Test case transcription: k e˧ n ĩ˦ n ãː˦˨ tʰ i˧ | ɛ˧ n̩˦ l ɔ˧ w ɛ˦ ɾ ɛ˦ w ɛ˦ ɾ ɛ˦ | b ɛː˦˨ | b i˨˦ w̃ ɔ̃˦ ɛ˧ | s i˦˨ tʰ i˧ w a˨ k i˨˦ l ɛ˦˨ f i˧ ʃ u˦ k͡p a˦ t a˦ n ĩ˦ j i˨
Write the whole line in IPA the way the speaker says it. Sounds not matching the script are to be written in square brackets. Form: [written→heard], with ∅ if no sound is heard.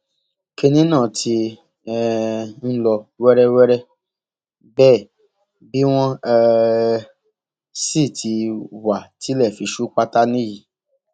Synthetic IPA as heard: k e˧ n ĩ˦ n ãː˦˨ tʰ i˧ | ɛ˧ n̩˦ l ɔ˧ w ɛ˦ ɾ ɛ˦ w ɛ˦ ɾ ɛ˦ | b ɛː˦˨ | b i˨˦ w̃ ɔ̃˦ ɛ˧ | s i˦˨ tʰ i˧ w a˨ [k→t] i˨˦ l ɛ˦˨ f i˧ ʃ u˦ k͡p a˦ t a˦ n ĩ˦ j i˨

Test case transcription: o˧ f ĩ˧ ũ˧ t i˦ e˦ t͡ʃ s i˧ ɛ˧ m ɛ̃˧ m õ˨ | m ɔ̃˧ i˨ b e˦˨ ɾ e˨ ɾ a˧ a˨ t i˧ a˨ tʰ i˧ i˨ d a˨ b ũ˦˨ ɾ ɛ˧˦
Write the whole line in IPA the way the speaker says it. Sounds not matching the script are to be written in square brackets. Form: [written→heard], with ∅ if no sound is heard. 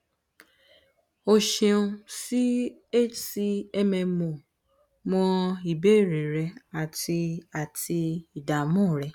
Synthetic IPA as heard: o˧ [f→ʃ] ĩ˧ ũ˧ [t→s] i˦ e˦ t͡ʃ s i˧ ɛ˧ m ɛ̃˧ m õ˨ | m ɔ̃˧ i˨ b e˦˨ ɾ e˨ ɾ [a˧→ɛ˧] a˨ t i˧ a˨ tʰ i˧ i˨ d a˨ [b→m] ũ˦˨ ɾ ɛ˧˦

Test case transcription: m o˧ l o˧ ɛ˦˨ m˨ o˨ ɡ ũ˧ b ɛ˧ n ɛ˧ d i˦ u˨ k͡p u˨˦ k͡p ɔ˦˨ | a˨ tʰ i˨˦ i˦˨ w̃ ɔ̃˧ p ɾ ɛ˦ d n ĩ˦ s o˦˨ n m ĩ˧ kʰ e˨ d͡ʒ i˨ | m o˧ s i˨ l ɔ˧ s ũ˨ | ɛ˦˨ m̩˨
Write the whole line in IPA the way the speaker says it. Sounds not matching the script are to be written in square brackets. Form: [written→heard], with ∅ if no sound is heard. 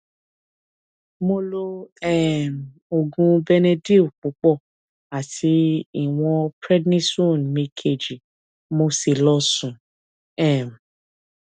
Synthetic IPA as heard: m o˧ l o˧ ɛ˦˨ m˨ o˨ ɡ ũ˧ b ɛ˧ n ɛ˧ d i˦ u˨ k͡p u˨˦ k͡p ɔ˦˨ | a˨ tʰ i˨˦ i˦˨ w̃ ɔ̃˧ p ɾ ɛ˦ d n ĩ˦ s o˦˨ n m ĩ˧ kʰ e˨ d͡ʒ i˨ | m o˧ s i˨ l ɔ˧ s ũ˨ | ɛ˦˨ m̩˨

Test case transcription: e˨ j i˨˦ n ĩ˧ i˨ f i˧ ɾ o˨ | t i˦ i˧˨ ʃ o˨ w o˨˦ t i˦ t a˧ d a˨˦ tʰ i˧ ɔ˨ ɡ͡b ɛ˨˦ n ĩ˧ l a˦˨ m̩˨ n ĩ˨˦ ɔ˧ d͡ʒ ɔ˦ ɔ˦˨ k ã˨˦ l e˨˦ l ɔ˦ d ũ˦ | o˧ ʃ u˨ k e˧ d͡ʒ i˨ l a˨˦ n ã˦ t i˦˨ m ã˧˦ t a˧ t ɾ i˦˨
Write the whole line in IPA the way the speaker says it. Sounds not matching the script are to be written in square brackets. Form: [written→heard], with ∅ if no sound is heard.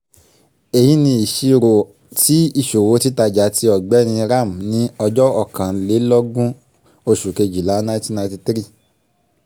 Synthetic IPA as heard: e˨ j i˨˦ n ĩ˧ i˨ [f→ʃ] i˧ ɾ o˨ | t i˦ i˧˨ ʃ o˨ w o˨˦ t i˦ t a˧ [d→d͡ʒ] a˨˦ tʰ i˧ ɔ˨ ɡ͡b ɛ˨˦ n ĩ˧ [l→ɾ] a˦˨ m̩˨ n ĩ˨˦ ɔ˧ d͡ʒ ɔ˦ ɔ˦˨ k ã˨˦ l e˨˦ l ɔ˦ [d→ɡ] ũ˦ | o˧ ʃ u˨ k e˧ d͡ʒ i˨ l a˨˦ n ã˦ t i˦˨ [m→n] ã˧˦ t [a˧→i˧] t ɾ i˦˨

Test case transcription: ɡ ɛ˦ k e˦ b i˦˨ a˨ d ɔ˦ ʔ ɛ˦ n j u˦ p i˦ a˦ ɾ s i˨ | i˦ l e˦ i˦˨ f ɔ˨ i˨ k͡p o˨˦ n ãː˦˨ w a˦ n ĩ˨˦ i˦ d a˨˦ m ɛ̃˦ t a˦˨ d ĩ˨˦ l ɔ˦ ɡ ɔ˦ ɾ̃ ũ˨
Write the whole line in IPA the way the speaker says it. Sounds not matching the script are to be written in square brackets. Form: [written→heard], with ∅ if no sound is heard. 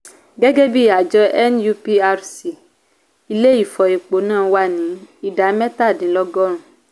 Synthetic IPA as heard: ɡ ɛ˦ [k→ɡ] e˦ b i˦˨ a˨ [d→d͡ʒ] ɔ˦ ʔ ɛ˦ n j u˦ p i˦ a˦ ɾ s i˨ | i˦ l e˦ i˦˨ f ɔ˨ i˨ k͡p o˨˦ n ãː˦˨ w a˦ n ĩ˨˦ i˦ d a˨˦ m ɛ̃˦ t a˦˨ d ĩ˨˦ l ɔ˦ ɡ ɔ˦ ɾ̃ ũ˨

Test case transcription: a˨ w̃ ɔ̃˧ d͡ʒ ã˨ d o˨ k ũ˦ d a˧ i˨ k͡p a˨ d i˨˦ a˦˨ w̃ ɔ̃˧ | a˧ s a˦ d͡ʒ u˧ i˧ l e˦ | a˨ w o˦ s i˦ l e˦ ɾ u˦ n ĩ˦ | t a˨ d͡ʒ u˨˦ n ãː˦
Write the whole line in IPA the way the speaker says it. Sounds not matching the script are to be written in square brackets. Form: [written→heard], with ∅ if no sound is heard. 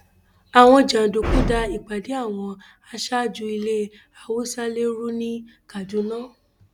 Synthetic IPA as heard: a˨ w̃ ɔ̃˧ d͡ʒ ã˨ d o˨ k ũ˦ d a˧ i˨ k͡p a˨ d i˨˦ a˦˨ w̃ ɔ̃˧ | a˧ [s→ʃ] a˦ d͡ʒ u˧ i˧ l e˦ | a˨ w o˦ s [i˦→a˦] l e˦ ɾ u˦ n ĩ˦ | [t→k] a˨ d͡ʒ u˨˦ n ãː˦

